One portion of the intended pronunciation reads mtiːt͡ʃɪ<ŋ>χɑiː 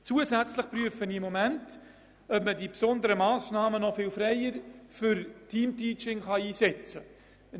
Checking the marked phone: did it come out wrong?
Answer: no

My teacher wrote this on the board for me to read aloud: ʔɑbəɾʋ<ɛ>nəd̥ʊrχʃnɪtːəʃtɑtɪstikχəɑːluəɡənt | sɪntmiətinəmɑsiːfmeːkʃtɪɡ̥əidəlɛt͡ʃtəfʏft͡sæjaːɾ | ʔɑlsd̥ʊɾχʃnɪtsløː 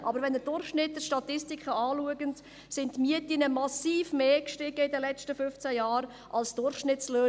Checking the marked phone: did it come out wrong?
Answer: no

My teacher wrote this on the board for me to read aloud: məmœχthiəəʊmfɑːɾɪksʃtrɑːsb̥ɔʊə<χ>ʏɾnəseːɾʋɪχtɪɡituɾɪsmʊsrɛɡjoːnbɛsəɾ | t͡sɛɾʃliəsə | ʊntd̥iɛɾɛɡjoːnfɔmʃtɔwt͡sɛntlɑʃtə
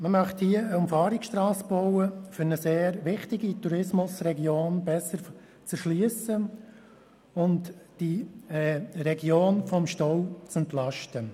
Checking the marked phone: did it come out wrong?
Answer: yes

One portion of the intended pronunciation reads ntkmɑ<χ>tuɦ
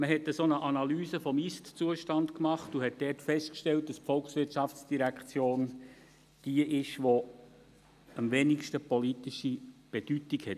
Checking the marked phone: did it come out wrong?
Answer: no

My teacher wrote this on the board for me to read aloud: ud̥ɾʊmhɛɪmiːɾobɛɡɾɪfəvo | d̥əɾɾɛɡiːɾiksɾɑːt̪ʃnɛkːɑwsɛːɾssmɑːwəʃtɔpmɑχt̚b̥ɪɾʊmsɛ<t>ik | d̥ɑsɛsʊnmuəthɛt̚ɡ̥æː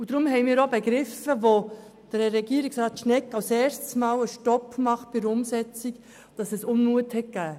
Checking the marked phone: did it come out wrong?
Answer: yes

